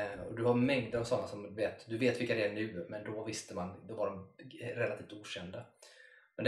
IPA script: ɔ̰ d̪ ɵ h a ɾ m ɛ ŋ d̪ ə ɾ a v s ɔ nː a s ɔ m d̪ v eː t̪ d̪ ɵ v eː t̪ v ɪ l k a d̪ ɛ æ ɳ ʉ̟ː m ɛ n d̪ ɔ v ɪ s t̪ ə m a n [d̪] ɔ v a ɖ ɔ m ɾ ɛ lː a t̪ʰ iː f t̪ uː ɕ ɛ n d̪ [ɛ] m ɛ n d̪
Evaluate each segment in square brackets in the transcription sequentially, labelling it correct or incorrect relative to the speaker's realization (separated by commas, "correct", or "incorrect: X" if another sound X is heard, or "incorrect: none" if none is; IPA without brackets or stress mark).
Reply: correct, incorrect: a